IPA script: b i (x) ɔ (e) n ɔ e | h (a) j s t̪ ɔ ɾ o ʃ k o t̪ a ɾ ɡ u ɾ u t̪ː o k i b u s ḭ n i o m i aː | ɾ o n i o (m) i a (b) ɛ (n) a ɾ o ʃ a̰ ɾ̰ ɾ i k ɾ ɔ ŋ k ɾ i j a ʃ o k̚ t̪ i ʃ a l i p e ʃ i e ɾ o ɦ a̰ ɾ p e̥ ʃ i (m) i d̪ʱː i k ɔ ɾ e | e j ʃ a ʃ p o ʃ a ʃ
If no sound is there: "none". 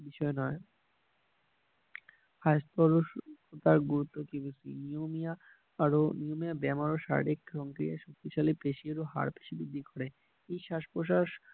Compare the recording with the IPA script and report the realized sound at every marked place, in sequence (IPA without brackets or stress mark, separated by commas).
ʃ, e, a, m, b, m, b